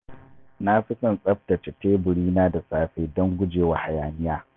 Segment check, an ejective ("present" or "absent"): present